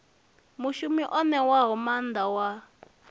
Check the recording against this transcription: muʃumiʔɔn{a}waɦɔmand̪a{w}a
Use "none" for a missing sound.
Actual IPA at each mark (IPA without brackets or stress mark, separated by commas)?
ɛ, w